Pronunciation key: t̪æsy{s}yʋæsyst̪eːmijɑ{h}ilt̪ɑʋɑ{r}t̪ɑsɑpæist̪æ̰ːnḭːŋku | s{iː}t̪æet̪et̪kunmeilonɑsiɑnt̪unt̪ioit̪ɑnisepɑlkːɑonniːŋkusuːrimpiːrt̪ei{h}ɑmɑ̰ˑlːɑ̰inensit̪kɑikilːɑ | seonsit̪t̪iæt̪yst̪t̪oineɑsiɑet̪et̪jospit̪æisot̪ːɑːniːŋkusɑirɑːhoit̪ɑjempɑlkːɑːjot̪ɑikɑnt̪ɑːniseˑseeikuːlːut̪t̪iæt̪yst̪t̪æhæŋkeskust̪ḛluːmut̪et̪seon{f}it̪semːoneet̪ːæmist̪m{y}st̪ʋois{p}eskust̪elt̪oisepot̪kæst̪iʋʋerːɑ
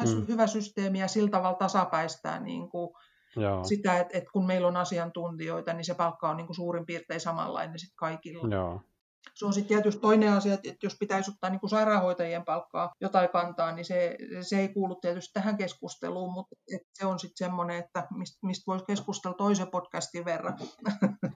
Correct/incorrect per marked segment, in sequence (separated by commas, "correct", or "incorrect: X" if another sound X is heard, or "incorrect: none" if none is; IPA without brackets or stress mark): incorrect: h, incorrect: s, incorrect: l, incorrect: i, incorrect: s, incorrect: s, incorrect: i, incorrect: k